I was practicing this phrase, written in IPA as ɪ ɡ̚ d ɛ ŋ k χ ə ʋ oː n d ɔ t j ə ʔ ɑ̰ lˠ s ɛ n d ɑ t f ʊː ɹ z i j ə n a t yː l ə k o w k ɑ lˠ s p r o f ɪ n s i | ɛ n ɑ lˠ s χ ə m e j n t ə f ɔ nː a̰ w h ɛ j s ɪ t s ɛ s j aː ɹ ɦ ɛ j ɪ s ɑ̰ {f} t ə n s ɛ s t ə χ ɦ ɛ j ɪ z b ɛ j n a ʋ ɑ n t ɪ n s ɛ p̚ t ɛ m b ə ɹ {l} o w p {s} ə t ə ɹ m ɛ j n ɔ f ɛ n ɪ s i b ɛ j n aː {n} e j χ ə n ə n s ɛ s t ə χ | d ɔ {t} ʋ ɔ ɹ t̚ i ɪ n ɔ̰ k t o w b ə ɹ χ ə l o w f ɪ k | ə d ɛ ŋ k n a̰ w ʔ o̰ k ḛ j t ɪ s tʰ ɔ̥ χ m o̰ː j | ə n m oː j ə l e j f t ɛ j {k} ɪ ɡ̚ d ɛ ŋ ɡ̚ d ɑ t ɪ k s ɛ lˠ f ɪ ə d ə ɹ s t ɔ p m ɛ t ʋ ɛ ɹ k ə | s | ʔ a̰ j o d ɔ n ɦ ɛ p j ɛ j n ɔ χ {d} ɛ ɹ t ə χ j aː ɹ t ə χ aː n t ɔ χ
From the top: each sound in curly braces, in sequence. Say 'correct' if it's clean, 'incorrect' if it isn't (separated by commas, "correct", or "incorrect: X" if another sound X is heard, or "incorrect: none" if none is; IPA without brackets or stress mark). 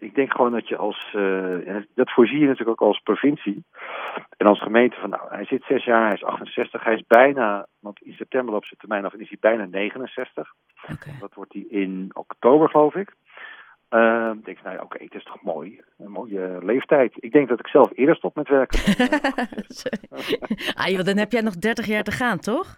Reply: incorrect: χ, correct, correct, correct, correct, incorrect: t, correct